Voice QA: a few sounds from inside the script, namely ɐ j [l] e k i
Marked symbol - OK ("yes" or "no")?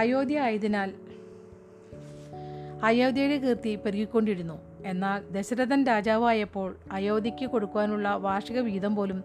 no